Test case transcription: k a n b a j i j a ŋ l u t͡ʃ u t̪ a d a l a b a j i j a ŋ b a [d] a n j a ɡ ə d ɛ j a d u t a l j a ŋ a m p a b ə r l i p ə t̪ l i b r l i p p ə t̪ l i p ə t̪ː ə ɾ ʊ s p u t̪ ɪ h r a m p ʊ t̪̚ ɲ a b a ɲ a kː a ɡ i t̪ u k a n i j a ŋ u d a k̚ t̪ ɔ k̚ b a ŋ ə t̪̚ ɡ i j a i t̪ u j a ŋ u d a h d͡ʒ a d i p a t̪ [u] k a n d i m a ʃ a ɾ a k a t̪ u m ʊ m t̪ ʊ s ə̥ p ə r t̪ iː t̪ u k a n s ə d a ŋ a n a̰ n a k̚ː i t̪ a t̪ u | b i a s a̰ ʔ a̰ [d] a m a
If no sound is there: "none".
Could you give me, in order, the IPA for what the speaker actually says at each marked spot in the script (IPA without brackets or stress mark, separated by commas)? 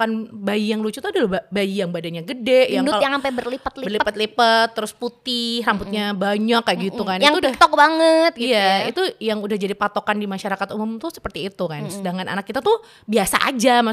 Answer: d, o, d͡ʒ